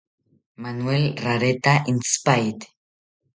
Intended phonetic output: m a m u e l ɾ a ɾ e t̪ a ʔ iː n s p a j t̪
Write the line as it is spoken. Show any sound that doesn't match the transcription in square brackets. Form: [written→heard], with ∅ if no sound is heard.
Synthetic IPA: m a [m→n] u e l [ɾ→r] a ɾ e t̪ a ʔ [iː→i] n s p a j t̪

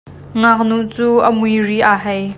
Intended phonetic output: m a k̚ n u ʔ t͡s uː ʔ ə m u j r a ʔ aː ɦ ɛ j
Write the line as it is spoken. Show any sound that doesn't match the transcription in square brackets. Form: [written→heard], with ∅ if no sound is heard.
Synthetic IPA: [m→ŋ] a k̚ n u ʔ t͡s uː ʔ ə m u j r [a→i] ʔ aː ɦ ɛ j

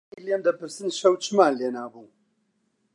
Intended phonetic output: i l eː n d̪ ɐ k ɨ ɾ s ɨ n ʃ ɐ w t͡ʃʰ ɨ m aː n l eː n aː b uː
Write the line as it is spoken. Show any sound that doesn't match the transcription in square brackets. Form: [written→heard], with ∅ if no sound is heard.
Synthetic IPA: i l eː [n→m] d̪ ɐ [k→p] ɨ ɾ s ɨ n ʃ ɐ w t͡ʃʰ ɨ m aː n l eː n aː b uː

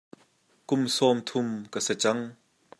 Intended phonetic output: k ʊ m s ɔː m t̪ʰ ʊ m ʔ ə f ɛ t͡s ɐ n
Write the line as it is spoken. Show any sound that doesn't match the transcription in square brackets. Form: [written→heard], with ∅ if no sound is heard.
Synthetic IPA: k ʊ m s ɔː m t̪ʰ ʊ m [ʔ→k] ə [f→s] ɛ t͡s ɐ [n→ŋ]

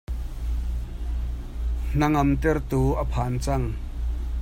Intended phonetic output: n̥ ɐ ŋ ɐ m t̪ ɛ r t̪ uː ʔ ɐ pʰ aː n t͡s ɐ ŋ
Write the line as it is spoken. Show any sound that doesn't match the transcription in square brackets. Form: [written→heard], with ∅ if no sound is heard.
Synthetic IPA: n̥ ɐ ŋ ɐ m t̪ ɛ r t̪ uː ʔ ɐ pʰ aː n t͡s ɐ ŋ

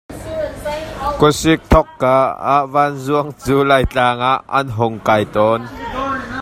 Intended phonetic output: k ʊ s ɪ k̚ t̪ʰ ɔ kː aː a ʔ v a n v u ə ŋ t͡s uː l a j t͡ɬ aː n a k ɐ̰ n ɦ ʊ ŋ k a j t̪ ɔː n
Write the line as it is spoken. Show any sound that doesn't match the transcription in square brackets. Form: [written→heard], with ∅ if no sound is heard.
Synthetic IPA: k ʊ s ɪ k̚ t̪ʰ ɔ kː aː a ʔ v a n [v→z] u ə ŋ t͡s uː l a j t͡ɬ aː [n→ŋ] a [k→ʔ] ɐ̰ n ɦ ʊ ŋ k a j t̪ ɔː n

